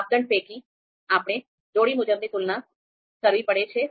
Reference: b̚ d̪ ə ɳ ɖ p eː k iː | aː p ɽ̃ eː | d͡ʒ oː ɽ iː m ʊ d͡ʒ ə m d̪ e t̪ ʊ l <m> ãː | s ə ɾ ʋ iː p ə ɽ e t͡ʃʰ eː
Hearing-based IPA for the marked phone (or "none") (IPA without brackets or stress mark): n